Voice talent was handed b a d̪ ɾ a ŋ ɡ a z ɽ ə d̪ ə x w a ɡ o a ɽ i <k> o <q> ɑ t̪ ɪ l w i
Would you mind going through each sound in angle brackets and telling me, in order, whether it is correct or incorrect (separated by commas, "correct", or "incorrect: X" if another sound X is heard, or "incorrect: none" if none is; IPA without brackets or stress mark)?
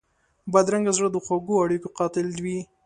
correct, correct